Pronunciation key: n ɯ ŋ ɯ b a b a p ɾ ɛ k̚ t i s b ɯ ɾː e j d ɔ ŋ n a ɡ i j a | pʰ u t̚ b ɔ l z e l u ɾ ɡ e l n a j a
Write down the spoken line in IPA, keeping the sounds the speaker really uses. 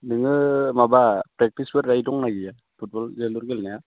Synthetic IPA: n ɯ ŋ ɯ m a b a p ɾ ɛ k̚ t i s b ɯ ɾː a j d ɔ ŋ n a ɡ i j a | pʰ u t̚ b ɔ l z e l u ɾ ɡ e l n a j a